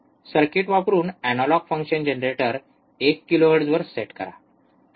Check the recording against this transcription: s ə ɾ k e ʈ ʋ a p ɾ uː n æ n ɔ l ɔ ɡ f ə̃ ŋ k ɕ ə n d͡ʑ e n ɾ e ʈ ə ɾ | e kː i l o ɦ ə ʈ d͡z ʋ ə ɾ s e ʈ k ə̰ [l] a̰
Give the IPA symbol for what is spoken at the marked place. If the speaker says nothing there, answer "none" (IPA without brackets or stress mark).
ɾ